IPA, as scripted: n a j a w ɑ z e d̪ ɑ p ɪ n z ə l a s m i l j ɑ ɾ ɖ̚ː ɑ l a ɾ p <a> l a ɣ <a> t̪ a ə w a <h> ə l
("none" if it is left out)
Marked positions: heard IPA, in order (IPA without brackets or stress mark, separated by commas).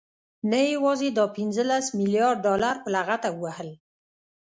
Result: ə, a, h